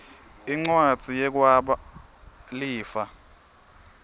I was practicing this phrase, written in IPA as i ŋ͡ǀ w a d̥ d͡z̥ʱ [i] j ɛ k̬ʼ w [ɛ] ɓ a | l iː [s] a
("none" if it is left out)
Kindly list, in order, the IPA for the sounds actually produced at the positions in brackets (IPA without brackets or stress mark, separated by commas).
i, a, f